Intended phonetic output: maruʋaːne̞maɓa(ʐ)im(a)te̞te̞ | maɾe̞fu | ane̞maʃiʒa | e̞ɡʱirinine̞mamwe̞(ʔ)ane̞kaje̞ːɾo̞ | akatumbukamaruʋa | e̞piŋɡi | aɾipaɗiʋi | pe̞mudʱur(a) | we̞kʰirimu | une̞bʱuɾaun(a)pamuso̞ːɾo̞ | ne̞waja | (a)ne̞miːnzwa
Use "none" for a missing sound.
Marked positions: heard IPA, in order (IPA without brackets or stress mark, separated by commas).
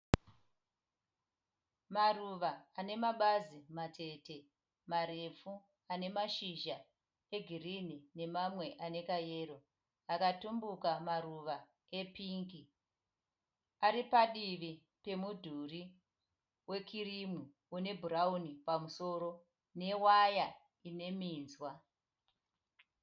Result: z, a, ʔ, i, i, i